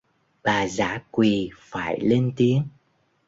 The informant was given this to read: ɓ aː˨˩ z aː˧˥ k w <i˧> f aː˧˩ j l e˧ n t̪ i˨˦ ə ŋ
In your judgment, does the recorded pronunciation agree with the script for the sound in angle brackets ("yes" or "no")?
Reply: no